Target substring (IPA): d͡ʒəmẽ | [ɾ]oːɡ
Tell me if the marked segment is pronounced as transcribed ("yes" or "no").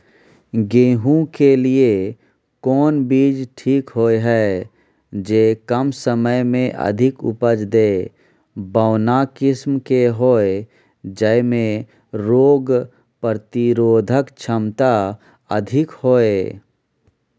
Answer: yes